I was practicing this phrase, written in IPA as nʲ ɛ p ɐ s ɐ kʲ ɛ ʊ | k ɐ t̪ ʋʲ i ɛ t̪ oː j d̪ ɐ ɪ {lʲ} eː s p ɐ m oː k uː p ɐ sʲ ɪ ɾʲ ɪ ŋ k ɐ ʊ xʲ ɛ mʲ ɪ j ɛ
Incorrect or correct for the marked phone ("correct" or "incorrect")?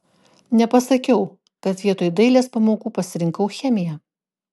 correct